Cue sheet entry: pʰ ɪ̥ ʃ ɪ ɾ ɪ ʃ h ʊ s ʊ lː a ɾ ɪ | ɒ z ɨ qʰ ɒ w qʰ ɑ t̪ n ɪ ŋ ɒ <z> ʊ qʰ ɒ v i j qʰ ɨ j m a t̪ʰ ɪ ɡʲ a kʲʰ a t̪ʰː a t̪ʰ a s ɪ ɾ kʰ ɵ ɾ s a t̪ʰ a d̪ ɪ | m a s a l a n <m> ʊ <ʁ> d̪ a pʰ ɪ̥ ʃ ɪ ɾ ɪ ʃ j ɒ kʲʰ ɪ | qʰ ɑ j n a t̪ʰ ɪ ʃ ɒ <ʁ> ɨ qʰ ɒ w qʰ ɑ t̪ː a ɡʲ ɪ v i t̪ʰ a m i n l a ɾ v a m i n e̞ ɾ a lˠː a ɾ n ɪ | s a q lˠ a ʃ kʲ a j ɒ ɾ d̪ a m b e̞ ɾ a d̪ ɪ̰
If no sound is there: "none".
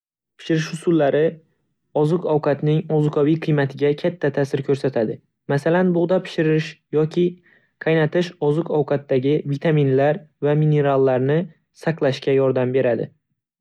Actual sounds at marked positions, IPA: z, b, ʁ, z

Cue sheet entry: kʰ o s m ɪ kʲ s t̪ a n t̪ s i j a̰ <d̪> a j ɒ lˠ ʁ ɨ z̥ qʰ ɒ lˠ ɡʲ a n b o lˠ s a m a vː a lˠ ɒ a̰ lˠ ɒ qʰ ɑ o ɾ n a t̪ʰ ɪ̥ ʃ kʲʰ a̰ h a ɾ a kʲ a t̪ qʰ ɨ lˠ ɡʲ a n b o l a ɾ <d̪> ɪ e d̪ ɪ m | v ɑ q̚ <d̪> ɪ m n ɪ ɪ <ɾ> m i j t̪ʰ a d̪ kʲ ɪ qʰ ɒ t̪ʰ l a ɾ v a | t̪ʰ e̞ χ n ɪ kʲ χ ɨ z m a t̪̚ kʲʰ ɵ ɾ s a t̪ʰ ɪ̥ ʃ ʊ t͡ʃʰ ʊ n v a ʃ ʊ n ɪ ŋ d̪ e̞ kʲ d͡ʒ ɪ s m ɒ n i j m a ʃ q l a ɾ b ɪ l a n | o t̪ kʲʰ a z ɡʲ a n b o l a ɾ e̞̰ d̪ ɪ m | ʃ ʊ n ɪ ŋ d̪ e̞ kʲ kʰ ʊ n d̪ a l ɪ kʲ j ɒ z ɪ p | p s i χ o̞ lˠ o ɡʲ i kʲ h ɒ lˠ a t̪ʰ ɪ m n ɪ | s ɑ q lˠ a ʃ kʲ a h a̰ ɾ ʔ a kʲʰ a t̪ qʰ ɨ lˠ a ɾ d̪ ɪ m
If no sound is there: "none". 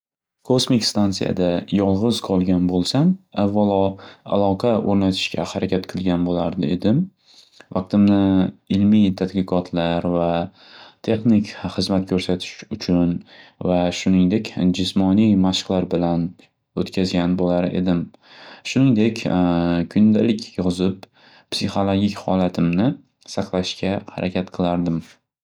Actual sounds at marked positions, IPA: d̪, d̪, t̪, l

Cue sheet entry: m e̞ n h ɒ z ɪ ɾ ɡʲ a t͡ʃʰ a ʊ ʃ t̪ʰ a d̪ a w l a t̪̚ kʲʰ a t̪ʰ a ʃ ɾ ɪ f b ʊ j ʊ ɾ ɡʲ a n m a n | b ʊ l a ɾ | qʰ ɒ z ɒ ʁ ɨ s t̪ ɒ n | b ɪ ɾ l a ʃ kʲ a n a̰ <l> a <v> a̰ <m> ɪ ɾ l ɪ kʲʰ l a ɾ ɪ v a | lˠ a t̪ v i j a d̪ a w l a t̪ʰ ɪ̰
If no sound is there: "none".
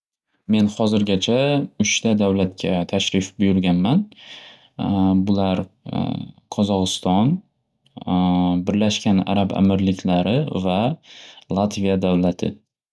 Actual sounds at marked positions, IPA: ɾ, b, m

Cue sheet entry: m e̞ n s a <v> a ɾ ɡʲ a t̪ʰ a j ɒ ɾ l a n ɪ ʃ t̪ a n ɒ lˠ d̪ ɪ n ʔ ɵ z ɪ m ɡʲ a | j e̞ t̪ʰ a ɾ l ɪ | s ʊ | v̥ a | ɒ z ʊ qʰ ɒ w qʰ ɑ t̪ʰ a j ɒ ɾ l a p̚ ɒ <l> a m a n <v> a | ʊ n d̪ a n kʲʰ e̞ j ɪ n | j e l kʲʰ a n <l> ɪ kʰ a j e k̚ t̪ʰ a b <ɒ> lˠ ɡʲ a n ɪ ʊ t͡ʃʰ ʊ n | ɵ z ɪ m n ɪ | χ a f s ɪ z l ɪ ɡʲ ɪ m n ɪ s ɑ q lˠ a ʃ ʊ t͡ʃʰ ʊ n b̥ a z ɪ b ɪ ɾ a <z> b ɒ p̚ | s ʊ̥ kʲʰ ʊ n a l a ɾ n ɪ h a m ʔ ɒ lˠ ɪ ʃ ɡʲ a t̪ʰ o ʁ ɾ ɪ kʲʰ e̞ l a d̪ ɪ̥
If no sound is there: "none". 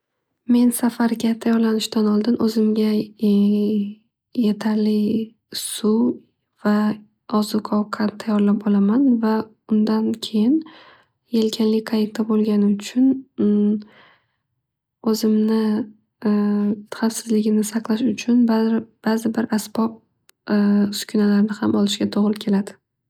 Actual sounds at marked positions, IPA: f, l, v, l, o, s

